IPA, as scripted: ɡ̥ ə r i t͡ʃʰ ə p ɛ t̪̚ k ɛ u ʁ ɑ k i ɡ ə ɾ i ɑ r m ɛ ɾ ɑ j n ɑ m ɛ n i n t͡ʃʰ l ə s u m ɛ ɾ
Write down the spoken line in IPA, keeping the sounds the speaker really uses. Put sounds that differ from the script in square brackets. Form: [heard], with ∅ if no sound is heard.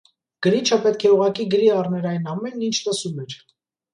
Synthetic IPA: ɡ̥ ə [ɾ] i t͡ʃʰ ə p ɛ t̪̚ [kʰ] ɛ u ʁ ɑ k i ɡ ə ɾ i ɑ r [n] ɛ ɾ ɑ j n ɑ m ɛ n i n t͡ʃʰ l ə s u m ɛ ɾ

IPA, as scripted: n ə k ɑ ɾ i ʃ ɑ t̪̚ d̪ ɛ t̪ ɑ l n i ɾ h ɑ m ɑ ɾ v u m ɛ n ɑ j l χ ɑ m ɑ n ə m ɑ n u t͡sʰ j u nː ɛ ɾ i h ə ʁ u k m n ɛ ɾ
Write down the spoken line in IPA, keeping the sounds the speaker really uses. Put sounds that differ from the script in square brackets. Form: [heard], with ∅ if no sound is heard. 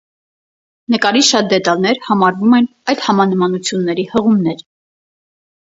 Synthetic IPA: n ə k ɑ ɾ i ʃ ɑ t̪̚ d̪ ɛ t̪ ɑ l n [ɛ] ɾ h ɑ m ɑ ɾ v u m ɛ n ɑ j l [h] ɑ m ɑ n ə m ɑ n u t͡sʰ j u nː ɛ ɾ i h ə ʁ u [∅] m n ɛ ɾ

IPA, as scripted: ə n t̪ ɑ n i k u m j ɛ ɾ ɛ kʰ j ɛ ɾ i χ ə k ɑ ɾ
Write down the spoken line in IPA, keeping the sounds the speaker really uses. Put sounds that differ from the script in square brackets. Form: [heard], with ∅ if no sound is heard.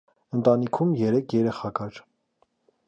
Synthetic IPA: ə n t̪ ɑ n i [kʰ] u m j ɛ ɾ ɛ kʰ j ɛ ɾ [ɛ] χ [ɑ] k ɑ ɾ

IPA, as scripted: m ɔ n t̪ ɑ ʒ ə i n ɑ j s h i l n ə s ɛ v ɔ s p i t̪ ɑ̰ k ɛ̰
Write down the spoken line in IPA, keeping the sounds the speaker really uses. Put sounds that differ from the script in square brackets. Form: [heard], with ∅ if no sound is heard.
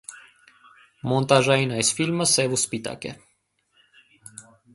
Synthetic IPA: m ɔ n t̪ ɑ ʒ [ɑ] i n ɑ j s [f] i l [m] ə s ɛ v [u] s p i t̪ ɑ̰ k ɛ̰

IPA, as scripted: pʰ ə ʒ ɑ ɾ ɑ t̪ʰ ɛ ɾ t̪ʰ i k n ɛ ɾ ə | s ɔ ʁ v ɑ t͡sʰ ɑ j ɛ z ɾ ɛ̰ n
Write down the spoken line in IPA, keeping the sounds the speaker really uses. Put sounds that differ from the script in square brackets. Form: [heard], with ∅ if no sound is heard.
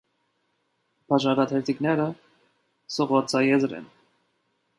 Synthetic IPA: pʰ [ɑ] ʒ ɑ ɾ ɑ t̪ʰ ɛ ɾ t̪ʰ i k n ɛ ɾ ə | s ɔ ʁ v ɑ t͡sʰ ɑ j ɛ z ɾ ɛ̰ n

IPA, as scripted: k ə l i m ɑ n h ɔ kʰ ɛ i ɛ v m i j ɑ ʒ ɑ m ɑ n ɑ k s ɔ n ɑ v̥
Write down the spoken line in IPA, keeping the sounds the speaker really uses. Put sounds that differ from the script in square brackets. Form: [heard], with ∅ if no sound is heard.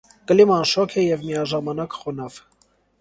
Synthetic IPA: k ə l i m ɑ n [ʃ] ɔ kʰ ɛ [j] ɛ v m i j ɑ ʒ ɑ m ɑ n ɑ k [χ] ɔ n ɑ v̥

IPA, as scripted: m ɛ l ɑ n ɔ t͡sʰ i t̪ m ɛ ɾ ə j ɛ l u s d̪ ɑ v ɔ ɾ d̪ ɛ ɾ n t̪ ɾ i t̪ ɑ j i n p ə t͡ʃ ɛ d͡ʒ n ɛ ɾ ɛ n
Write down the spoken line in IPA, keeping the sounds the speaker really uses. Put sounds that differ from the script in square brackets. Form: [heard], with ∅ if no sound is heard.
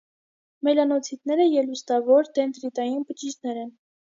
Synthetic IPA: m ɛ l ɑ n ɔ t͡sʰ i t̪ [n] ɛ ɾ ə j ɛ l u s [t̪] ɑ v ɔ ɾ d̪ ɛ [∅] n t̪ ɾ i t̪ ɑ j i n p ə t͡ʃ [i] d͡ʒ n ɛ ɾ ɛ n

